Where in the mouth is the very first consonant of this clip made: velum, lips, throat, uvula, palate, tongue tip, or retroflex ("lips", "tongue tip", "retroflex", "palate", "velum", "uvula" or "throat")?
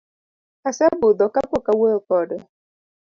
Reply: tongue tip